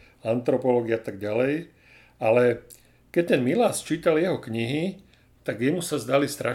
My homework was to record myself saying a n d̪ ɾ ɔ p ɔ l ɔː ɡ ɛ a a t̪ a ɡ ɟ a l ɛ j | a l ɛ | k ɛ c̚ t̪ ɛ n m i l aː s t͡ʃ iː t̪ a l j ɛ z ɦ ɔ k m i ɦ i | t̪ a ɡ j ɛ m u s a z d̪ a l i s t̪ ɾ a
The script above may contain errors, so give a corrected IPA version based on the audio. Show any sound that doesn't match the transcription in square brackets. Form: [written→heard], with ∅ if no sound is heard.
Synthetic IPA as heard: a n [d̪→t̪] ɾ ɔ p ɔ l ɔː ɡ [ɛ→i] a a t̪ a ɡ ɟ a l ɛ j | a l ɛ | k ɛ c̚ t̪ ɛ n m i l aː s t͡ʃ iː t̪ a l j ɛ [z→∅] ɦ ɔ k [m→ɲ] i ɦ i | t̪ a ɡ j ɛ m u s a z d̪ a l i s t̪ ɾ a